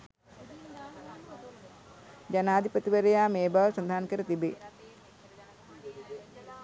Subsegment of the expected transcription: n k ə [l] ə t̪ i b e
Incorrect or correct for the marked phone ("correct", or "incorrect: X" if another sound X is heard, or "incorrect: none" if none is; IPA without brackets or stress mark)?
incorrect: ɾ